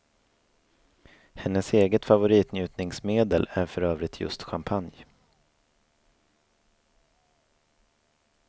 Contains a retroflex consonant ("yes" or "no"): no